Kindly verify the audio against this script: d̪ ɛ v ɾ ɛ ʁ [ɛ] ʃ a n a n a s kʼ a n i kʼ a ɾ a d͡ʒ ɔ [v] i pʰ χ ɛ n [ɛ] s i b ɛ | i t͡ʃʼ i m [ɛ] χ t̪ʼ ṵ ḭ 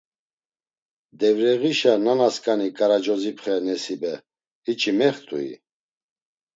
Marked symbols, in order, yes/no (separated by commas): no, no, yes, yes